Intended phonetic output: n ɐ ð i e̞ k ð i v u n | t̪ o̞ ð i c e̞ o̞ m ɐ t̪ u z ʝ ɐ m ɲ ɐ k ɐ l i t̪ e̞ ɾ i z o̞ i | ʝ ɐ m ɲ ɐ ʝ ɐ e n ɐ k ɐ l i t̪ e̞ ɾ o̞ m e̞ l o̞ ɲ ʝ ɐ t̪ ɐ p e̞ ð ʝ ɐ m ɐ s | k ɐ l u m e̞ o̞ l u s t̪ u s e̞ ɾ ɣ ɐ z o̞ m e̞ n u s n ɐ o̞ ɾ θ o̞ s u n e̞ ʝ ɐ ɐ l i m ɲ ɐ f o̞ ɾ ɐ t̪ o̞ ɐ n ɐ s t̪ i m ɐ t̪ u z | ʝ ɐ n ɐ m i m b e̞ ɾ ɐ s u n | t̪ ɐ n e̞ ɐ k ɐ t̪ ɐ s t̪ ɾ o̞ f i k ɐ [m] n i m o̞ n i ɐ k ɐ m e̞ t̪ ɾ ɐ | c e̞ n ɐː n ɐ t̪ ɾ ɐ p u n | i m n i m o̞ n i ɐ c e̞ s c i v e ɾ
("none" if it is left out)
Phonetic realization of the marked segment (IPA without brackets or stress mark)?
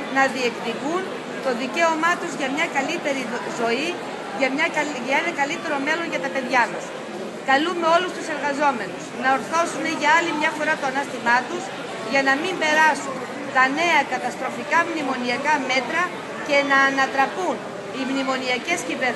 m